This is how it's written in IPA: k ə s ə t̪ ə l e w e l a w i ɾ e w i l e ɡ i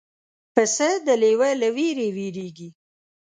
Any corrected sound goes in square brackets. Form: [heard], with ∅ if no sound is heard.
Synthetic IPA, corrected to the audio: [p] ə s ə [d̪] ə l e w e l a w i ɾ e w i [ɾ] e ɡ i